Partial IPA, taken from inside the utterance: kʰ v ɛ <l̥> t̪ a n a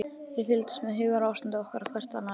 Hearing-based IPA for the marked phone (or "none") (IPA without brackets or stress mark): r̥